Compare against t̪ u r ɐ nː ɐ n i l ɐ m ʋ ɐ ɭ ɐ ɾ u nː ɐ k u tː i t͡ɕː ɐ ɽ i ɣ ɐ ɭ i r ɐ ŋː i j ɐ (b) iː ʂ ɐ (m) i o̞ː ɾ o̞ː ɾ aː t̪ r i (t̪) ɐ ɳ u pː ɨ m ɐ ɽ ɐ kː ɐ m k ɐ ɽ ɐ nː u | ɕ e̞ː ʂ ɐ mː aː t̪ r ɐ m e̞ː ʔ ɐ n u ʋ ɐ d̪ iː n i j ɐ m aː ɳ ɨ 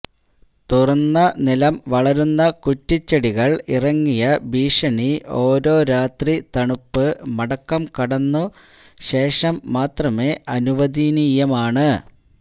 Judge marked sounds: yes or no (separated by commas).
yes, no, yes